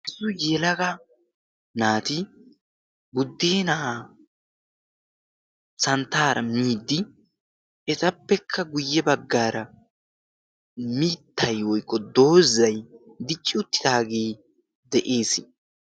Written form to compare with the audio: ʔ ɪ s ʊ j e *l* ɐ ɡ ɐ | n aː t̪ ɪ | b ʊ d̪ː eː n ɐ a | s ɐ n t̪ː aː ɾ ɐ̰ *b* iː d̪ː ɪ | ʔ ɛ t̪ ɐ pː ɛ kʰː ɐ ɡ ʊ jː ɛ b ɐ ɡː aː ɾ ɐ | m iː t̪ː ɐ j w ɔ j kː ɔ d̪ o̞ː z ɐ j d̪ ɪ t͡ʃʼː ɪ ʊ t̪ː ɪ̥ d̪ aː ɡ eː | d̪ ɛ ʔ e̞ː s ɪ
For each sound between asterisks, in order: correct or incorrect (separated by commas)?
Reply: correct, incorrect